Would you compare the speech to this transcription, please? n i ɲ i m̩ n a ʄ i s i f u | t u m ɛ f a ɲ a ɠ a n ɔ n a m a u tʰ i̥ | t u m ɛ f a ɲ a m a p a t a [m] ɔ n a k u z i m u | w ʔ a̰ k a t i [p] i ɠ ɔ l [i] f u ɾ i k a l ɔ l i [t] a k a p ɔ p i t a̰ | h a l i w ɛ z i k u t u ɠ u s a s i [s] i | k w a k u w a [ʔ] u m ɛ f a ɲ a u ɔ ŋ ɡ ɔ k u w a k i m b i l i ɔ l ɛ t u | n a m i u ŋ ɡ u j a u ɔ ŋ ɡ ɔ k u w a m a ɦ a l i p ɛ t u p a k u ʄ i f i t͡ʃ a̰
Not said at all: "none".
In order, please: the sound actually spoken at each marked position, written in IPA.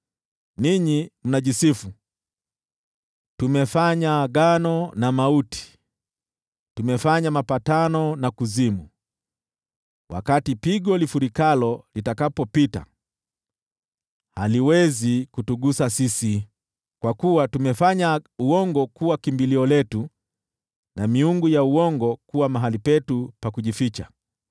n, p, i, t, s, t

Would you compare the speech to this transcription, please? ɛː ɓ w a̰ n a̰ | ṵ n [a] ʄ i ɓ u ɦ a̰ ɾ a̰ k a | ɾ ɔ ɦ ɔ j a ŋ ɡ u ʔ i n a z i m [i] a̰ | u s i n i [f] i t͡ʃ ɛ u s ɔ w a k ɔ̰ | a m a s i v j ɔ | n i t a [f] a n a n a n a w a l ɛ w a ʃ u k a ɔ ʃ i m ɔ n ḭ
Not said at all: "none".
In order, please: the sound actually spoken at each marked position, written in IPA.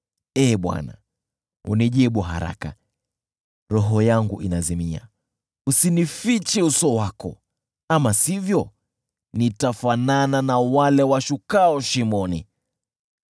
i, i, f, f

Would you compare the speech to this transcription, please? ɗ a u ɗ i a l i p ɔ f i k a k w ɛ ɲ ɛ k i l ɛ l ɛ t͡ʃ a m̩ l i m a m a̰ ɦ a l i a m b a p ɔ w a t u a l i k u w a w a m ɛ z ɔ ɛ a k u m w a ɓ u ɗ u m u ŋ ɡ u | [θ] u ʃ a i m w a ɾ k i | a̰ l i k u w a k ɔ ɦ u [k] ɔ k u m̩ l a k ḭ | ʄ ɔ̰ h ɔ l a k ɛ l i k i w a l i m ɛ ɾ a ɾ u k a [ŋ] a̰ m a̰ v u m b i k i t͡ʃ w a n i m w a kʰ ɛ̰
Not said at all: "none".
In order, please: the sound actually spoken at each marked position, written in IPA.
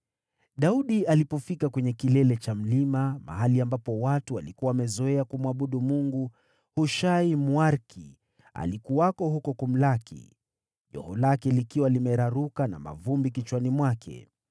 h, k, n

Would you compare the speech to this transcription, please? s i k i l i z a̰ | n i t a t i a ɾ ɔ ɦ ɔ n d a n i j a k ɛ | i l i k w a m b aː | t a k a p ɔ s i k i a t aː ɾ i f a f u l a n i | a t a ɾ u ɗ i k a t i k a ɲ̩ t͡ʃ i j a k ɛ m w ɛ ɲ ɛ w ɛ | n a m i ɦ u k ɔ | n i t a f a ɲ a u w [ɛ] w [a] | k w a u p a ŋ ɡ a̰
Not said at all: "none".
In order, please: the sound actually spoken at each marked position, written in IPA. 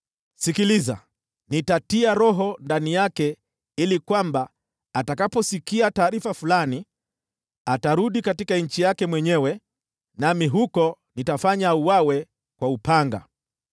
a, ɛ

